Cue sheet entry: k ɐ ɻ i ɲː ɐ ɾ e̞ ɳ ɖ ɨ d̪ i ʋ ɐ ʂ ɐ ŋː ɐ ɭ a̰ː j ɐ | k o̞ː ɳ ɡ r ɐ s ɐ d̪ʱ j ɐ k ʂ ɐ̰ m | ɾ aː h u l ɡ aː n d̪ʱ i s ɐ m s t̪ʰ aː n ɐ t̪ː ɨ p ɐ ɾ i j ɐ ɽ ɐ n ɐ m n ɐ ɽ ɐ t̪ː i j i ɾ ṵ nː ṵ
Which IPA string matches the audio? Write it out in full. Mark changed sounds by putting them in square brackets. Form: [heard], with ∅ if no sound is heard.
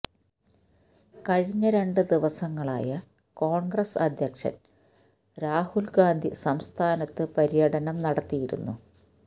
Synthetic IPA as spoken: k ɐ ɻ i ɲː ɐ ɾ e̞ ɳ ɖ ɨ d̪ i ʋ ɐ [s] ɐ ŋː ɐ ɭ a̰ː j ɐ | k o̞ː ɳ ɡ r ɐ s ɐ d̪ʱ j ɐ k ʂ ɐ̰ [n] | ɾ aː h u l ɡ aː n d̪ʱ i s ɐ m s t̪ʰ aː n ɐ t̪ː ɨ p ɐ ɾ i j ɐ ɽ ɐ n ɐ m n ɐ ɽ ɐ t̪ː i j i ɾ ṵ nː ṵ